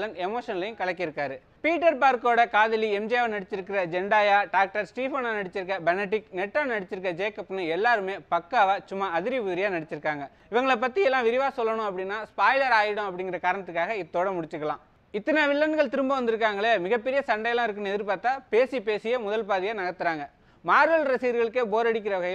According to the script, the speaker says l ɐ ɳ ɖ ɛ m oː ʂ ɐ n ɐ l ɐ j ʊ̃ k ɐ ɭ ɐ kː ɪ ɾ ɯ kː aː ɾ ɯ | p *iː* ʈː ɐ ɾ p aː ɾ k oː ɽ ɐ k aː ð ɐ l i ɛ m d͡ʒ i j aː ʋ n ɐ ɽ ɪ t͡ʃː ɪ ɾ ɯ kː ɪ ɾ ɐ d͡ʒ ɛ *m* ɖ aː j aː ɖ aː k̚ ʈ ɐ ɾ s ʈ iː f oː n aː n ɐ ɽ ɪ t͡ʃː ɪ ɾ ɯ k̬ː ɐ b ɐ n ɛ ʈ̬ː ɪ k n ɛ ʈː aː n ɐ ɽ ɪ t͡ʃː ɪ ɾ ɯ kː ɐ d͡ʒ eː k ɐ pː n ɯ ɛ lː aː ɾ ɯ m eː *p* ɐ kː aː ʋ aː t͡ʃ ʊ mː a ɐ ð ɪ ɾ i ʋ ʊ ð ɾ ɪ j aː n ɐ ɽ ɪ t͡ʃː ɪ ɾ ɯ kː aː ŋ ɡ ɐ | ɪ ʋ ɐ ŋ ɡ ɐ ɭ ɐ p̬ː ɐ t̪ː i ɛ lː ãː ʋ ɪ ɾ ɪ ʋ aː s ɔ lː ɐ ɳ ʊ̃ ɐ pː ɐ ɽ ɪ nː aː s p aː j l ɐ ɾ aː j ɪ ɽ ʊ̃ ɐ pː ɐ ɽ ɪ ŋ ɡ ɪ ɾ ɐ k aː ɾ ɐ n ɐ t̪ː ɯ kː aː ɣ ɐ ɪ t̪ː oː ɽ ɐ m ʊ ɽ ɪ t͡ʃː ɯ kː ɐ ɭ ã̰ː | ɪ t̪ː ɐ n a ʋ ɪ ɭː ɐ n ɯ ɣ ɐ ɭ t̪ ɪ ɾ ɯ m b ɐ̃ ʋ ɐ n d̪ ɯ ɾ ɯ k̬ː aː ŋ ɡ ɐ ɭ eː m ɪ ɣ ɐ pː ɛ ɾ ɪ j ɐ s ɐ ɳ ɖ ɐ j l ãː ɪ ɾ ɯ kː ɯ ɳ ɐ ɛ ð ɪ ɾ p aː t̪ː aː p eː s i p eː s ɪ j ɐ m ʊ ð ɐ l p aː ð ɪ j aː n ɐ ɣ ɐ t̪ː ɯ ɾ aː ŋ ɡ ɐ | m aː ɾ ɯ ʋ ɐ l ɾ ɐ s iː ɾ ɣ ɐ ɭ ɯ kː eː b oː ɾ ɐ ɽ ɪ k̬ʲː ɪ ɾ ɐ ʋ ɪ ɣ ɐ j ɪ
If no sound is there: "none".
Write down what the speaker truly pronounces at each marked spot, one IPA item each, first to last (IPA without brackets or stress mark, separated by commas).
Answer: iː, ɳ, p